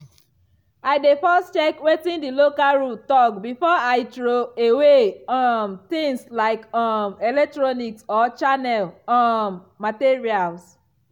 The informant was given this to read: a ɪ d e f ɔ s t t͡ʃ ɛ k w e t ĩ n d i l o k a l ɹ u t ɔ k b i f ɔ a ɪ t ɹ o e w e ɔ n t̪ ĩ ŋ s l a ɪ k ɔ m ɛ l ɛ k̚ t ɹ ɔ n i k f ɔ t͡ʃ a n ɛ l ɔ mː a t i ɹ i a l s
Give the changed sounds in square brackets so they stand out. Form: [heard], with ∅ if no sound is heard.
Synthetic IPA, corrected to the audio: a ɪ d e f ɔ s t t͡ʃ ɛ k w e t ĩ n d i l o k a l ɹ u t ɔ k b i f ɔ a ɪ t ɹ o e w e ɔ [m] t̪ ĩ ŋ s l a ɪ k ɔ m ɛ l ɛ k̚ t ɹ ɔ n i k [s] ɔ t͡ʃ a n ɛ l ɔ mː a t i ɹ i a l s